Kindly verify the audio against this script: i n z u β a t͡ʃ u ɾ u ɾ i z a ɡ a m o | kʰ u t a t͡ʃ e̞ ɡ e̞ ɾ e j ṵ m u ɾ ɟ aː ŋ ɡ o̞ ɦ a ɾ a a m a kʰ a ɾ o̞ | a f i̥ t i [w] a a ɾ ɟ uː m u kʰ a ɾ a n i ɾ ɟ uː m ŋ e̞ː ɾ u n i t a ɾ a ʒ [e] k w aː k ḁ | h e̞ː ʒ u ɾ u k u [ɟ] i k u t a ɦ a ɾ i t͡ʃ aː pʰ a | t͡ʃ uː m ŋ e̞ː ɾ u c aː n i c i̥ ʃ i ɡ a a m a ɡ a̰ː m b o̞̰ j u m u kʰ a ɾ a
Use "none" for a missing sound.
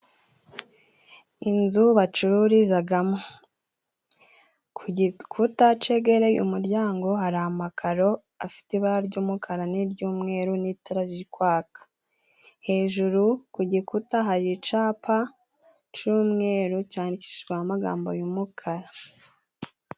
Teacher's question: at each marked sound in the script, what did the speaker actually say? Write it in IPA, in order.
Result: β, i, ɟ

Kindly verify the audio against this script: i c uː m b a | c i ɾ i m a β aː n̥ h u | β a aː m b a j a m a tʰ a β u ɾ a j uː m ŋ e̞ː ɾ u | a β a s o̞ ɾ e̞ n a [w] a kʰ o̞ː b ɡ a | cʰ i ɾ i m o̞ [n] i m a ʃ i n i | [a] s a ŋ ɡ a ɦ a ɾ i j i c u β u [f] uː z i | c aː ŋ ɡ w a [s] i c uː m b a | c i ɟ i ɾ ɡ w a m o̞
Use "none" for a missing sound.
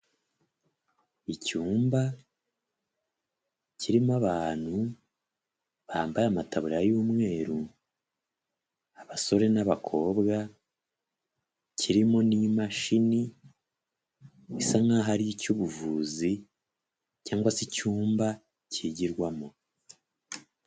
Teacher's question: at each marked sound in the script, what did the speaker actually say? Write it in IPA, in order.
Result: β, n, i, v, s

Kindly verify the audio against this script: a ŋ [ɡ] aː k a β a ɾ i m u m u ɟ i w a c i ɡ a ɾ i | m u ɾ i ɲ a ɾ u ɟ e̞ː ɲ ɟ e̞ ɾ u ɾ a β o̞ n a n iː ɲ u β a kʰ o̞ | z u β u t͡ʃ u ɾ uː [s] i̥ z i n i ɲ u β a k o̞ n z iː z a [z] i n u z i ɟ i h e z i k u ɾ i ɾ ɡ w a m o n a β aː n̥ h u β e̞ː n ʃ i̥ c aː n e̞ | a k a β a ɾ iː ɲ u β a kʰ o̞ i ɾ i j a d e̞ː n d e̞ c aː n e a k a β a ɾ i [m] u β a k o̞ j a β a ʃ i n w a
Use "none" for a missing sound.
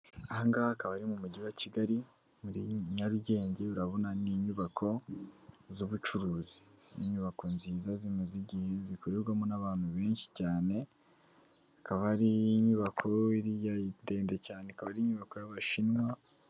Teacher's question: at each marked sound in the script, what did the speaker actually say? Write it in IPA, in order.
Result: ɡ, z, z, ɲ

